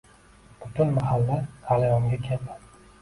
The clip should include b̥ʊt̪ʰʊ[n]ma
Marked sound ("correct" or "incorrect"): correct